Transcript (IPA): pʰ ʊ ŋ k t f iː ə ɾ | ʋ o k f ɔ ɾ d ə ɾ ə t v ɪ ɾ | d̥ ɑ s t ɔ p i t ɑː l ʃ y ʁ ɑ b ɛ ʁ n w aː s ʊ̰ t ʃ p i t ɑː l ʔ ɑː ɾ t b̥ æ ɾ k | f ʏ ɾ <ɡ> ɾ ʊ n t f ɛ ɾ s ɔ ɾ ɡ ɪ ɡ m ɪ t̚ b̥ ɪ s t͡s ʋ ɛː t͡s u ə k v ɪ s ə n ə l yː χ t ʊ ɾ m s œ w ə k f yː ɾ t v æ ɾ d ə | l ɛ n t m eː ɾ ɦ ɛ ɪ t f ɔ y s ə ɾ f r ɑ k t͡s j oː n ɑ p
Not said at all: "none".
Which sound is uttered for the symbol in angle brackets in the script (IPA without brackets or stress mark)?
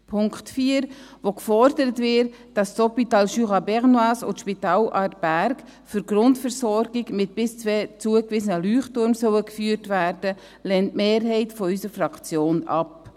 ɡ